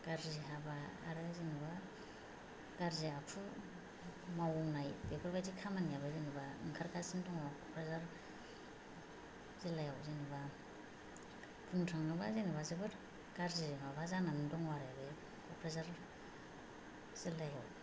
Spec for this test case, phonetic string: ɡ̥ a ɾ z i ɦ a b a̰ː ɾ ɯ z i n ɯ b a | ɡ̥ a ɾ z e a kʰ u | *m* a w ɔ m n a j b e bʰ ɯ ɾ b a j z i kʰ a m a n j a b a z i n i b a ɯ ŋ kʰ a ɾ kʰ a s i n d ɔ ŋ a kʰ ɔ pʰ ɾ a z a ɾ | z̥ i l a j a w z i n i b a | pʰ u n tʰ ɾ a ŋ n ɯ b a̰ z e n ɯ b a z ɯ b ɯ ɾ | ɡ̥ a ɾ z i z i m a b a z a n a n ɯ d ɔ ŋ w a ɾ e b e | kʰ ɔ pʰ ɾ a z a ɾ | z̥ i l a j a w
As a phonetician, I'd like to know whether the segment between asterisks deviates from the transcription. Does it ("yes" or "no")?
no